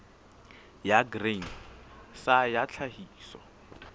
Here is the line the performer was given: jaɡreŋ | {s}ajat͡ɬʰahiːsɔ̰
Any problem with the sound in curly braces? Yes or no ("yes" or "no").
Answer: no